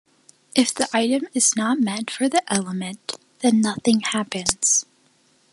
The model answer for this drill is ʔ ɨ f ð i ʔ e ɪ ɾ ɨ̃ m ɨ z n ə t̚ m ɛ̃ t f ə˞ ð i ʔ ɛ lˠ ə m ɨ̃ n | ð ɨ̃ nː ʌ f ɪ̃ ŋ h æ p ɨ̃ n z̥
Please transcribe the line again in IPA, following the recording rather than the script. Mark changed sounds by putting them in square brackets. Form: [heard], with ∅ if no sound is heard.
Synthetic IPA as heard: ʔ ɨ f ð i ʔ [a] ɪ ɾ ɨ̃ m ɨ z n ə t̚ m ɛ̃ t f ə˞ ð i ʔ ɛ lˠ ə m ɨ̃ n | ð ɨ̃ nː ʌ [θ] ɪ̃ ŋ h æ p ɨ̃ n z̥